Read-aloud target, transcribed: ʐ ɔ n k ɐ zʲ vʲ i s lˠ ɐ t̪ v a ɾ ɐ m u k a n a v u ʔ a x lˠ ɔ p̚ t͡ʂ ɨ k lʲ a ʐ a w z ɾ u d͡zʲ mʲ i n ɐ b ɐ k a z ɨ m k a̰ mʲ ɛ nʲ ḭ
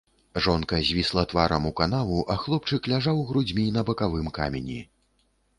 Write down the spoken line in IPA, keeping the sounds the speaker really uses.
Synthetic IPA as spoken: ʐ ɔ n k ɐ zʲ vʲ i s lˠ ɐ t̪ v a ɾ ɐ m u k a n a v u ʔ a x lˠ ɔ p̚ t͡ʂ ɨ k lʲ a ʐ a w ɣ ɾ u d͡zʲ mʲ i n ɐ b ɐ k a v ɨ m k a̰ mʲ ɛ nʲ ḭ